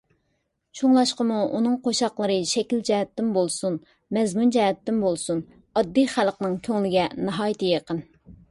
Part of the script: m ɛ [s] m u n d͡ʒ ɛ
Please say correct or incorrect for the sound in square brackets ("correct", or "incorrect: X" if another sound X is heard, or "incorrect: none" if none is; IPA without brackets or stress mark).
incorrect: z